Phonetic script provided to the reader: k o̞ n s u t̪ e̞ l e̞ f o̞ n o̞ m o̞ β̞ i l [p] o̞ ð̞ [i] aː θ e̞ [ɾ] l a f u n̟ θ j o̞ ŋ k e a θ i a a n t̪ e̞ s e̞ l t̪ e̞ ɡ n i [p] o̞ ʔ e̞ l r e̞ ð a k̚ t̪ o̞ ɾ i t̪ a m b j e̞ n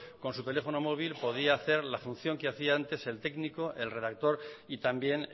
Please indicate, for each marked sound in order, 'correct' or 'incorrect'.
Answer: correct, correct, correct, incorrect

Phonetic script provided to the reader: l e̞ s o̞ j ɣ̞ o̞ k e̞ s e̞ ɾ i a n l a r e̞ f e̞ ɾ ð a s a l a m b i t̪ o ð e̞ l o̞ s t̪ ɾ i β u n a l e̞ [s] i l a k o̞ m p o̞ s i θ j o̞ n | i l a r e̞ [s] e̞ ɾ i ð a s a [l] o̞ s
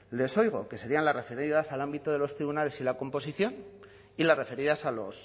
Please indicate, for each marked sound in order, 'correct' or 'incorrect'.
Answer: correct, incorrect, correct

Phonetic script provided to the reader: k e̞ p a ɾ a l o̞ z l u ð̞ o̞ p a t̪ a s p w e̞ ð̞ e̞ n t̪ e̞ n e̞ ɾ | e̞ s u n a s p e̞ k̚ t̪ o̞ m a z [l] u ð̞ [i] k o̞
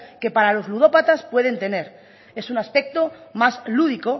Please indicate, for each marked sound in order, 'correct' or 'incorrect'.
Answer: correct, correct

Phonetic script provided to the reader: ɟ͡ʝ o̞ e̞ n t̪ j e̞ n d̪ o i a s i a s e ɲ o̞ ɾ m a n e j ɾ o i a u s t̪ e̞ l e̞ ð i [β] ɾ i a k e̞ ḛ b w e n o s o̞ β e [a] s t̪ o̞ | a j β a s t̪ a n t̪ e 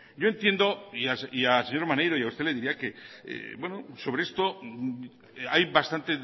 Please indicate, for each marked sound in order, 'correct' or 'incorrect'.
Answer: incorrect, incorrect

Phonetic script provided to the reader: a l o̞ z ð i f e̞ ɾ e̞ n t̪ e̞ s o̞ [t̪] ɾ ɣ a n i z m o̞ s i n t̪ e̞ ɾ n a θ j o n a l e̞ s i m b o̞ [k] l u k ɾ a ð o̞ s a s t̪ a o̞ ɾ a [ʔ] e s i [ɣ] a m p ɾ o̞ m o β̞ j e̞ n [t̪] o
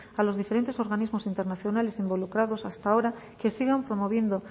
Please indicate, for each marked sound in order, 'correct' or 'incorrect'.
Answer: incorrect, incorrect, incorrect, correct, incorrect

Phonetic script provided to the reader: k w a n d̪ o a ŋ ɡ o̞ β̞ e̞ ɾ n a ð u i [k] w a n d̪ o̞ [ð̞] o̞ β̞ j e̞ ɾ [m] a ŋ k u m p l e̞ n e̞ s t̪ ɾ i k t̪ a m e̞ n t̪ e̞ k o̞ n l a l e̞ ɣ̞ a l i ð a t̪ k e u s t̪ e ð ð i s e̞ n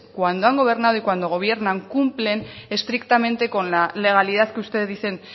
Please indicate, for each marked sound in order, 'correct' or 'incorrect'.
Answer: correct, incorrect, incorrect

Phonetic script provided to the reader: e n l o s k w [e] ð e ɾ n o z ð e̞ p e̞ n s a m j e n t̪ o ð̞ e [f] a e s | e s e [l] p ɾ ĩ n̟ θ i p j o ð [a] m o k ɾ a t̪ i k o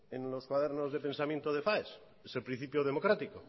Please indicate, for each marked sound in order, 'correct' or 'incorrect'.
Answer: incorrect, correct, correct, incorrect

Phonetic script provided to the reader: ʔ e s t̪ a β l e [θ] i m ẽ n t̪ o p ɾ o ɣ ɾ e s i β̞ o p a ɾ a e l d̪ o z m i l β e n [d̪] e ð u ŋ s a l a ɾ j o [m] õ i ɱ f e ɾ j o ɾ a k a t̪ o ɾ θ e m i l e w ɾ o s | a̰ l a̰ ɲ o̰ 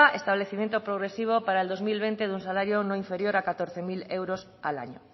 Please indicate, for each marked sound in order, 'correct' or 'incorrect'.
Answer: correct, incorrect, incorrect

